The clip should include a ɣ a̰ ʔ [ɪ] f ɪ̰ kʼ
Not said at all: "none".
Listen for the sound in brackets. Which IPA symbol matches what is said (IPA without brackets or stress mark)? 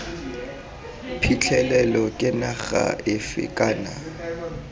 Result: ɪ